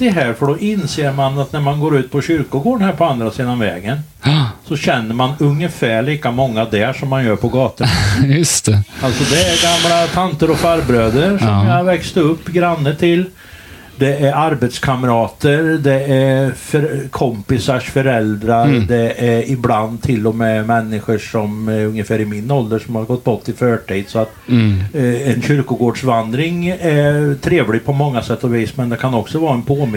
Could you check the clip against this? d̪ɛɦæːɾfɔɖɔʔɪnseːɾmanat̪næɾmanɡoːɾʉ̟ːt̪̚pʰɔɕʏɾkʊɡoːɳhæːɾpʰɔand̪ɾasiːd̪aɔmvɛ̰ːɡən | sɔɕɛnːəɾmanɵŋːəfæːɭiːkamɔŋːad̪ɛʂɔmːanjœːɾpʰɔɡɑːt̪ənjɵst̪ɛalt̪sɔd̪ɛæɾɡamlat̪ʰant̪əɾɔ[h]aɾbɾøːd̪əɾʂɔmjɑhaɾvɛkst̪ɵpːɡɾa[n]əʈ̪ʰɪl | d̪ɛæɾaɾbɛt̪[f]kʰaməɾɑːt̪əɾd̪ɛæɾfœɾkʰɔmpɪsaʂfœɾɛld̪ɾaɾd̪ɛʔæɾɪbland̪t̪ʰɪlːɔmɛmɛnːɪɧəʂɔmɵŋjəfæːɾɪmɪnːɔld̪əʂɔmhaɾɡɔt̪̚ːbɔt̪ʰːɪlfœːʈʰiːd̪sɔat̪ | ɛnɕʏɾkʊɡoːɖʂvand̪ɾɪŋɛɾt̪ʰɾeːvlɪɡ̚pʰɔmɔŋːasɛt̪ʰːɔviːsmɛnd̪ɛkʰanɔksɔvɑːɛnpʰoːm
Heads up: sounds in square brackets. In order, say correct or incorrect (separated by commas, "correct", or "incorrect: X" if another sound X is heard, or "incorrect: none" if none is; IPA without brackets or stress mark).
incorrect: f, incorrect: nː, incorrect: s